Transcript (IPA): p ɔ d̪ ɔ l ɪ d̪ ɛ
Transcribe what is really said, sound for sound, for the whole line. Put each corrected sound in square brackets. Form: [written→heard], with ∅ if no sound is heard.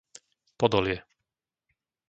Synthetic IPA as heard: p ɔ d̪ ɔ l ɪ [d̪→∅] ɛ